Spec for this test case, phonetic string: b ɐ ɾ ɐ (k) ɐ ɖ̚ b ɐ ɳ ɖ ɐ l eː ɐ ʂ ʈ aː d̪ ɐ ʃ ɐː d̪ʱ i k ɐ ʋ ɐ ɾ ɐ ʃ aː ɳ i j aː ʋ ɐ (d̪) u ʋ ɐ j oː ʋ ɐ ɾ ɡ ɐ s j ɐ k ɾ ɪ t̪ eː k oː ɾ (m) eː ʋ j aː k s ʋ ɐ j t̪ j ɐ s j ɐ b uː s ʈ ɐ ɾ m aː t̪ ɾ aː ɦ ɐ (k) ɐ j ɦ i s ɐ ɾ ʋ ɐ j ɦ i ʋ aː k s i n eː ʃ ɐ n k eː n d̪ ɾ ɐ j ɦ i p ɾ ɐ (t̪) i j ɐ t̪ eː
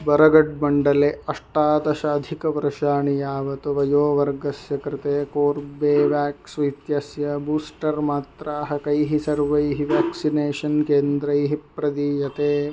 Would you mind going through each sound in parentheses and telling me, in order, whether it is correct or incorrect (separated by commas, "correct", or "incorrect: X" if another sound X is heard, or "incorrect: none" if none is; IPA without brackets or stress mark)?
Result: incorrect: ɡ, incorrect: t̪, incorrect: b, correct, incorrect: d̪